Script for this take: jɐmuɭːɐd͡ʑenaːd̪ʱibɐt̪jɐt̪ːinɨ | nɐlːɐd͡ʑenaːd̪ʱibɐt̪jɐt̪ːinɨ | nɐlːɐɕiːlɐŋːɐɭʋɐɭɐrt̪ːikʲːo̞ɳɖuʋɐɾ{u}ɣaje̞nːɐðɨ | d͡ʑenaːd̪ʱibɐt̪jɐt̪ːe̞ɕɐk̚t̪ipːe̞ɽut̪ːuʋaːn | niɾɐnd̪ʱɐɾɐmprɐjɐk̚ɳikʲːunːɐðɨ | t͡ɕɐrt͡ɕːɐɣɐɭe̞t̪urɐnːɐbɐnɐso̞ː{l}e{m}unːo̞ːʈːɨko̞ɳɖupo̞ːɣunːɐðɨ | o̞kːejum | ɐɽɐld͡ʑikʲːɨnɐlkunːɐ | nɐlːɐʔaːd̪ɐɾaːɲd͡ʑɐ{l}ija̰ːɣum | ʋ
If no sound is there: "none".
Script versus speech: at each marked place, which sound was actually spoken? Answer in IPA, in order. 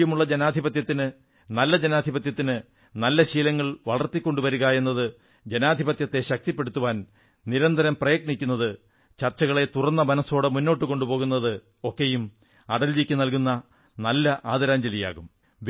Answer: u, ɽ, m, l

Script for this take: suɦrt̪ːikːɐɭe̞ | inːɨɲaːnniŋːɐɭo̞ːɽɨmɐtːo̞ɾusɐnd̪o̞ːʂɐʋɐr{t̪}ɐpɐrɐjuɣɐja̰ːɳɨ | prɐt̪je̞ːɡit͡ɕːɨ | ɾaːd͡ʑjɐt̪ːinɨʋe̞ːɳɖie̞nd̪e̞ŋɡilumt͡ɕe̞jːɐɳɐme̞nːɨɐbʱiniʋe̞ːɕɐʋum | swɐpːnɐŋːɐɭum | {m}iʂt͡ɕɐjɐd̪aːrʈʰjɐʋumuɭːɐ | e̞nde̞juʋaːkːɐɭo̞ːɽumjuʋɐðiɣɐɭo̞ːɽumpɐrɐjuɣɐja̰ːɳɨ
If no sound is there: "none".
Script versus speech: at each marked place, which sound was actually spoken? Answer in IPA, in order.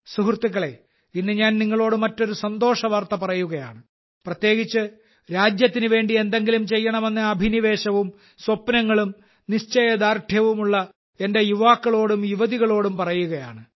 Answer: t̪, n

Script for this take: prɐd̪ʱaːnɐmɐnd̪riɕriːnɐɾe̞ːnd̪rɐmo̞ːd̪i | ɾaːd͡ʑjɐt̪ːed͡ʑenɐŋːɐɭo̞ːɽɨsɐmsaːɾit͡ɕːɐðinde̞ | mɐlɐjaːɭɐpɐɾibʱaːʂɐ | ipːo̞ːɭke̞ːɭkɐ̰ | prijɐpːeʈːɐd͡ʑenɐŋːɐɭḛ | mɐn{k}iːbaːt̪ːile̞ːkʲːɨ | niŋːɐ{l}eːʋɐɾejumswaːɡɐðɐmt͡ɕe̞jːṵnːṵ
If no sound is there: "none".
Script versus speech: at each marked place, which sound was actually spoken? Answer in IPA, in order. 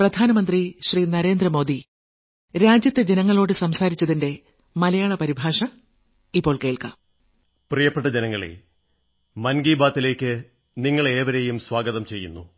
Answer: ɡ, ɭ

